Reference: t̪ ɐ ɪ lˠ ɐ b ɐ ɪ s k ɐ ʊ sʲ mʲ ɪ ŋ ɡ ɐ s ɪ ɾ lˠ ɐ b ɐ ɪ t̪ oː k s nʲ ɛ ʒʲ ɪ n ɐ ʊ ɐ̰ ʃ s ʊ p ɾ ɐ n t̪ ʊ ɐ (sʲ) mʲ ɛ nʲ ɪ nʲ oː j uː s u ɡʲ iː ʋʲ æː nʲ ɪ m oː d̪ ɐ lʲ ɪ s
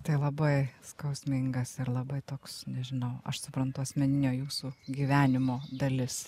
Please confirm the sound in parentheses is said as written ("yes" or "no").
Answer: yes